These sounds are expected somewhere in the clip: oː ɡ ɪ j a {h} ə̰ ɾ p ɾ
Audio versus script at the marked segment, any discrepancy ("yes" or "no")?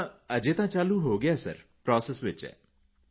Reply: yes